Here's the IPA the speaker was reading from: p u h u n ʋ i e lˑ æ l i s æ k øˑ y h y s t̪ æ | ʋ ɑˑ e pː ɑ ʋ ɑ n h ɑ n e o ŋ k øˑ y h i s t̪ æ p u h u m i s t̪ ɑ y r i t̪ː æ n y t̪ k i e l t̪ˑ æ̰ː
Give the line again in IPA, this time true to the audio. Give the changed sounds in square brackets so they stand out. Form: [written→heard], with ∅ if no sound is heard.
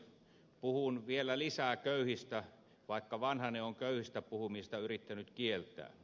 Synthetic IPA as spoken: p u h u n ʋ i e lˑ æ l i s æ k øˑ y h [y→i] s t̪ æ | ʋ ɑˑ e [pː→kː] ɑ ʋ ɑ n h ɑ n e o ŋ k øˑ y h i s t̪ æ p u h u m i s t̪ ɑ y r i t̪ː æ n y t̪ k i e l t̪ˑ æ̰ː